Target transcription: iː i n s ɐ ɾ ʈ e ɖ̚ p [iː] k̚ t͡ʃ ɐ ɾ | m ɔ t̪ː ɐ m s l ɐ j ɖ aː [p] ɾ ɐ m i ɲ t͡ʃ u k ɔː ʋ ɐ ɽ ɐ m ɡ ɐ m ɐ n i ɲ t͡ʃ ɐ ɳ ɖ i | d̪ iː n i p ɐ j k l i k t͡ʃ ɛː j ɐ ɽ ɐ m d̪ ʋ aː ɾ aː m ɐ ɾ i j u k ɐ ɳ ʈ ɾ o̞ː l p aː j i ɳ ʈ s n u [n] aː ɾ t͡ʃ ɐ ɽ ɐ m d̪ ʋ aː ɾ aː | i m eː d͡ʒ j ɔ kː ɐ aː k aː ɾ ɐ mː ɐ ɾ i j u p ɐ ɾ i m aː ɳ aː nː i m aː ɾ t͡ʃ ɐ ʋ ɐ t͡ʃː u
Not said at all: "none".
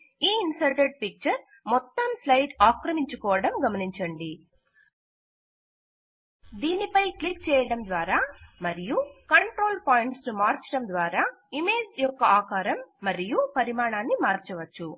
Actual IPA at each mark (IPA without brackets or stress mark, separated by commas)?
i, k, m